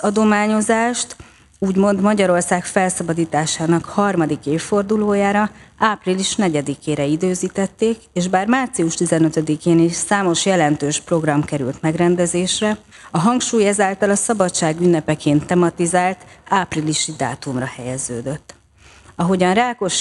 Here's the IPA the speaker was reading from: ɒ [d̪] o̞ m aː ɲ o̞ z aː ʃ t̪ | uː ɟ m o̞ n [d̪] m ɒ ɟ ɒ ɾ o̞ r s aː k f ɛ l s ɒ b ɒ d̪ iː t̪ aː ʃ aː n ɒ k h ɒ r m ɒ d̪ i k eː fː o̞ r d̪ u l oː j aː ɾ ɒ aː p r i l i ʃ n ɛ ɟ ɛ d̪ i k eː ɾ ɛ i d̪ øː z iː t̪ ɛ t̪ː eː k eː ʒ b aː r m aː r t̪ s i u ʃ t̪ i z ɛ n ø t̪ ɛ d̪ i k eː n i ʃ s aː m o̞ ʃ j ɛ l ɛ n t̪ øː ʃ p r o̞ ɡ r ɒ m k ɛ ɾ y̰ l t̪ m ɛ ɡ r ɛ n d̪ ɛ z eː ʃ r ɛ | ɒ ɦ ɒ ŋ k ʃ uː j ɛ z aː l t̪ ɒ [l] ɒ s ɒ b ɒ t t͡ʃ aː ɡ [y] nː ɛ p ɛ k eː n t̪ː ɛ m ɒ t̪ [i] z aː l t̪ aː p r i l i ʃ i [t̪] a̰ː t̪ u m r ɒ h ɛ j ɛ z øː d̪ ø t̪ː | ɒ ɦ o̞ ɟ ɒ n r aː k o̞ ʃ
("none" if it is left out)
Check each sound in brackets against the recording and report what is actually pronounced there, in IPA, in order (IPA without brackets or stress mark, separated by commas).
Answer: d̪, d̪, l, y, i, d̪